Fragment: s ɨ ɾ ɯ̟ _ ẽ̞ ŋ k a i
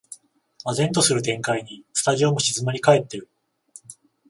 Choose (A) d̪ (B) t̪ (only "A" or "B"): B